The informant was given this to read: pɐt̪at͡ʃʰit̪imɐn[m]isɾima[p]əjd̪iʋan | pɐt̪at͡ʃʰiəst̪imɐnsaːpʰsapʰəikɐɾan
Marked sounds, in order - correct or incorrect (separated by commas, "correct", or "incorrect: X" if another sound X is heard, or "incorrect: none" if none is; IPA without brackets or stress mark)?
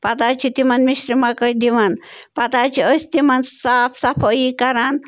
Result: correct, incorrect: k